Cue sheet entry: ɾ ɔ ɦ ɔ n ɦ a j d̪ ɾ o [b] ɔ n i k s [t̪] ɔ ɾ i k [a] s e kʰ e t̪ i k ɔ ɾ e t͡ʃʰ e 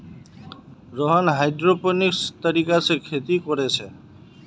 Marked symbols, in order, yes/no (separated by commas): no, yes, yes